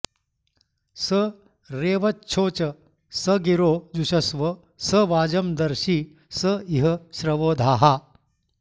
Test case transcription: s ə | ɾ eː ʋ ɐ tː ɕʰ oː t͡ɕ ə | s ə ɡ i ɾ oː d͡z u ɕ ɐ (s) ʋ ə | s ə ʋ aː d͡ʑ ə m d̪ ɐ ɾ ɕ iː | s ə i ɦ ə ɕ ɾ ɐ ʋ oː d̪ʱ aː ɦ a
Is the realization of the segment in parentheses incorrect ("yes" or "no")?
no